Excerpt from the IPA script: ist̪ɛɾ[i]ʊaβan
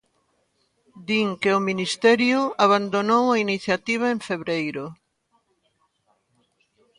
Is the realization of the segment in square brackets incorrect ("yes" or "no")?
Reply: yes